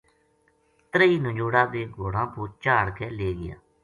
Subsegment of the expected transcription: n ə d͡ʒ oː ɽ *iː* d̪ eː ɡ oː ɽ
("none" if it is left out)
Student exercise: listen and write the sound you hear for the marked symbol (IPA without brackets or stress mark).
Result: aː